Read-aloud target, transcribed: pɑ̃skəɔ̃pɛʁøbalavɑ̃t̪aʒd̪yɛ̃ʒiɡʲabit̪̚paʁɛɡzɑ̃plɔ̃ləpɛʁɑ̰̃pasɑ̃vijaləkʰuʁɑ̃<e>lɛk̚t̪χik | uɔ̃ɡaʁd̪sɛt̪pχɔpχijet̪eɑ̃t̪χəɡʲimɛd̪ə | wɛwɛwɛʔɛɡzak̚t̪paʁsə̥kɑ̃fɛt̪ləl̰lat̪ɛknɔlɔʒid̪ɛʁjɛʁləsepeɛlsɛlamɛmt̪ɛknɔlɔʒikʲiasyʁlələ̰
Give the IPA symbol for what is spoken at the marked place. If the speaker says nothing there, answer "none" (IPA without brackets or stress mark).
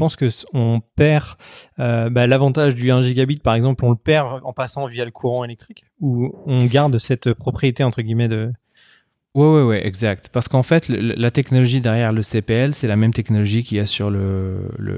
e